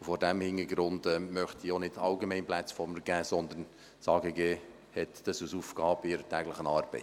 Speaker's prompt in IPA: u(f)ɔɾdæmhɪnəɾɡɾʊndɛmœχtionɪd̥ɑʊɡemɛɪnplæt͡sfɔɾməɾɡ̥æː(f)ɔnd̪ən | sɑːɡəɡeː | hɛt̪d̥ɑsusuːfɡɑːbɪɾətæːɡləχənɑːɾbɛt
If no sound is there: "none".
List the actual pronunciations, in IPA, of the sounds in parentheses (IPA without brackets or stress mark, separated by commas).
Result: f, s